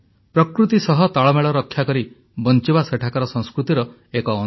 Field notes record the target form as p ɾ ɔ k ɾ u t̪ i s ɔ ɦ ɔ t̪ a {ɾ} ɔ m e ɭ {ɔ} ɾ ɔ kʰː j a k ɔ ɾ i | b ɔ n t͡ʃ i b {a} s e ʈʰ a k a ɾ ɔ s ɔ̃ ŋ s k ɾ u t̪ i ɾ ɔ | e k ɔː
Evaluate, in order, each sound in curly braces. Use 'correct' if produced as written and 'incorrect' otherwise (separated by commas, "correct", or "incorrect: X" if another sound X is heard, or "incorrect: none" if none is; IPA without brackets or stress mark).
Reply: incorrect: ɭ, correct, correct